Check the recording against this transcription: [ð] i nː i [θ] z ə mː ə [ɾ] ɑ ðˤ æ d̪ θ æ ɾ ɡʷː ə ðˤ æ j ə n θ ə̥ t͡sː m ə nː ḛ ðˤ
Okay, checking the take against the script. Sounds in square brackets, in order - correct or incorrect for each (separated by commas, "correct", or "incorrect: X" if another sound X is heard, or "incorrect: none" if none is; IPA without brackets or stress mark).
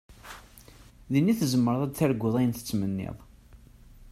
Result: correct, correct, correct